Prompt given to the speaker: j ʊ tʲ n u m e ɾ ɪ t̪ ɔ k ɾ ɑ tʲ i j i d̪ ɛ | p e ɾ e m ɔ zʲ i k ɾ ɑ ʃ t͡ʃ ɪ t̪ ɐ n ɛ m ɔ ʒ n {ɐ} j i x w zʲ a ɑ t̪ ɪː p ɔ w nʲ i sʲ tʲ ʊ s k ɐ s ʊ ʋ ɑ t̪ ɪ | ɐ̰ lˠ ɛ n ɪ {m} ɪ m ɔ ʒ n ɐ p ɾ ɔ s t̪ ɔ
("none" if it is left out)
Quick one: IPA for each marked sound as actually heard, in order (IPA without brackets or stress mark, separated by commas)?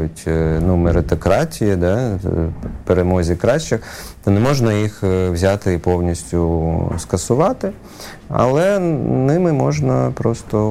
ɐ, m